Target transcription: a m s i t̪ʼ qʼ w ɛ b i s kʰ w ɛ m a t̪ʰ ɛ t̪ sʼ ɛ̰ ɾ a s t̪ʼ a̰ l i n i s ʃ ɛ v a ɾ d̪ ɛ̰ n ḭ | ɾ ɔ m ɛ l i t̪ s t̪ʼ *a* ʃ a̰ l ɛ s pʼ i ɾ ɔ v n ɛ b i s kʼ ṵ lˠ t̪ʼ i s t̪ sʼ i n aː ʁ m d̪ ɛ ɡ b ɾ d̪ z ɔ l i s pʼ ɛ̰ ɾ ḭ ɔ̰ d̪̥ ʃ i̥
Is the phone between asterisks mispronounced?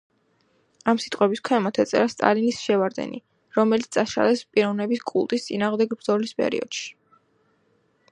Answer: no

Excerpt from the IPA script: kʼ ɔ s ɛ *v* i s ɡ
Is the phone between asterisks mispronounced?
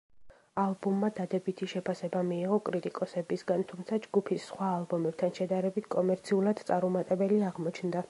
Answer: yes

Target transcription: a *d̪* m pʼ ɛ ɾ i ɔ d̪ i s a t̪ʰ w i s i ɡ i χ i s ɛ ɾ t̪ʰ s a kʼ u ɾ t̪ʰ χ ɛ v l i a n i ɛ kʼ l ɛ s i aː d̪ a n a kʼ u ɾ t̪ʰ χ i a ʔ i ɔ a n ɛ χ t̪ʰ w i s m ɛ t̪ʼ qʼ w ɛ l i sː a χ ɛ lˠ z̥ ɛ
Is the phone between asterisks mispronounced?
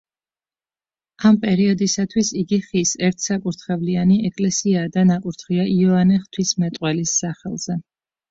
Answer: yes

